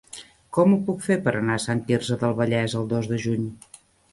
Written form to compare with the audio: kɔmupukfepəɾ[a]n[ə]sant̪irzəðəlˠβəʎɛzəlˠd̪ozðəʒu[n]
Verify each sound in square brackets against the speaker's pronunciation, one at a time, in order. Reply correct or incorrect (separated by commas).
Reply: incorrect, incorrect, incorrect